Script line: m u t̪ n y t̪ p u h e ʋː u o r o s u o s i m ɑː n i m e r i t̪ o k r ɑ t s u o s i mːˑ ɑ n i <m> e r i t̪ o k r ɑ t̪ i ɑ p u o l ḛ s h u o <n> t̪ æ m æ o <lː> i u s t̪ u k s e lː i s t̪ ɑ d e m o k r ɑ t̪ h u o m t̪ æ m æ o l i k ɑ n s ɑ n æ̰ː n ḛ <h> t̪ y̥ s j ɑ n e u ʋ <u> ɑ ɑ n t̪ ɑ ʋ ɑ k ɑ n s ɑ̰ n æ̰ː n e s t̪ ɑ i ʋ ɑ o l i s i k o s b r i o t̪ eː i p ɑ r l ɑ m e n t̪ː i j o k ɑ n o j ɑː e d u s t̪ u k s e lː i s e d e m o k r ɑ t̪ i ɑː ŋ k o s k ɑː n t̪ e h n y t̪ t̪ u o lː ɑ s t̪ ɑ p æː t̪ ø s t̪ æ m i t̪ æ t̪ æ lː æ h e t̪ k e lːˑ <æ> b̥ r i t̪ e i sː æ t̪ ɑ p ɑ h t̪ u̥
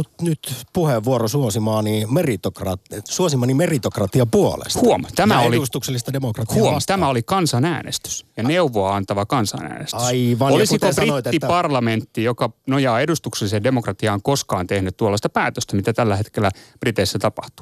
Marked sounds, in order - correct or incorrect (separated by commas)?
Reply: correct, incorrect, incorrect, incorrect, incorrect, correct